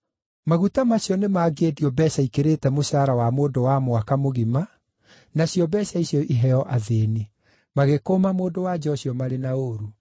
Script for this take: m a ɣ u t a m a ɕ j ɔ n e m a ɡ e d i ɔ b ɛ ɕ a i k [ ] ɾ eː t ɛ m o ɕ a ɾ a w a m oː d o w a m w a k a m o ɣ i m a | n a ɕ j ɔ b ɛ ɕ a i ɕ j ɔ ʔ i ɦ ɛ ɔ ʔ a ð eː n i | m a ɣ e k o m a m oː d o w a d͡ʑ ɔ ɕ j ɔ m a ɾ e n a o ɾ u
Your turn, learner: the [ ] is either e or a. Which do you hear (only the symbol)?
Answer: e